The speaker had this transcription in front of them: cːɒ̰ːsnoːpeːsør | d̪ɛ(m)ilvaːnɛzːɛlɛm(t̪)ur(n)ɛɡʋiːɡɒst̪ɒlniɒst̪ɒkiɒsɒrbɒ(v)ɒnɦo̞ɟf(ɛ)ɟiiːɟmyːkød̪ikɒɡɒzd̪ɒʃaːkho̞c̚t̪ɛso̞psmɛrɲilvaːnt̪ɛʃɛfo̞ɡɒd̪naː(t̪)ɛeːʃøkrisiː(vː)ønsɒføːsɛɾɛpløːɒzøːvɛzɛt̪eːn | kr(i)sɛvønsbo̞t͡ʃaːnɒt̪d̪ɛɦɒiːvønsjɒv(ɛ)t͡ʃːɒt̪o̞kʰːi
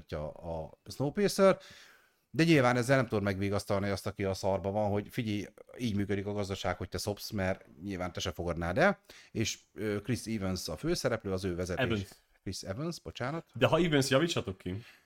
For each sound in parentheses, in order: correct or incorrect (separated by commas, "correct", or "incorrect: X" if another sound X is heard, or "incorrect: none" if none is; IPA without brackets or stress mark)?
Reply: incorrect: ɲ, correct, incorrect: m, correct, incorrect: i, incorrect: d̪, incorrect: v, correct, incorrect: i